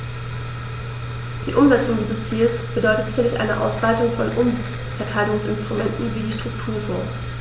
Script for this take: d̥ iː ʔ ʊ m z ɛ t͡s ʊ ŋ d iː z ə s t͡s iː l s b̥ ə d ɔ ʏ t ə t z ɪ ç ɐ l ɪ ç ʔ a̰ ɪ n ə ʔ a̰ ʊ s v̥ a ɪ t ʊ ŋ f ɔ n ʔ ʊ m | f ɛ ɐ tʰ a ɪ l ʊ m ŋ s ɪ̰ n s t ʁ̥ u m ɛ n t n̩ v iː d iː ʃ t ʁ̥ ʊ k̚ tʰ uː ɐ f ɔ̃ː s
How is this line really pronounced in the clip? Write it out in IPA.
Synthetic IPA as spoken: d̥ iː ʔ ʊ m z ɛ t͡s ʊ ŋ d iː z ə s t͡s iː l s b̥ ə d ɔ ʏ t ə t z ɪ ç ɐ l ɪ ç ʔ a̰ ɪ n ə ʔ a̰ ʊ s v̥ a ɪ t ʊ ŋ f ɔ n ʔ ʊ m | f ɛ ɐ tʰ a ɪ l ʊ ŋ s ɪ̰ n s t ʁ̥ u m ɛ n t n̩ v iː d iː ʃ t ʁ̥ ʊ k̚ tʰ uː ɐ f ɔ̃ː s